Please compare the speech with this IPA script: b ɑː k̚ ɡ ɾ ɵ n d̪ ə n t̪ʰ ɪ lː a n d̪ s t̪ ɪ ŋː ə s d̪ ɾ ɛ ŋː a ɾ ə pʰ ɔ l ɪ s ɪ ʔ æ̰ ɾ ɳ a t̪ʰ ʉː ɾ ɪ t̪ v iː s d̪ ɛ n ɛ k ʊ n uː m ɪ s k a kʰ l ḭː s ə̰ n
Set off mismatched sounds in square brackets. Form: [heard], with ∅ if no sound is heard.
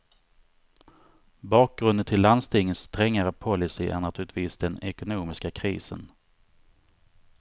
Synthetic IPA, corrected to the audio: b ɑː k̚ ɡ ɾ ɵ n d̪ ə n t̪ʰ ɪ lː a n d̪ s t̪ ɪ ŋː ə s [t̪] ɾ ɛ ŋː a ɾ ə pʰ ɔ l ɪ s ɪ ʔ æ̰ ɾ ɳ a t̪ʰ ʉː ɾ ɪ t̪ v iː s d̪ ɛ n ɛ k ʊ n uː m ɪ s k a kʰ [ɾ] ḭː s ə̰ n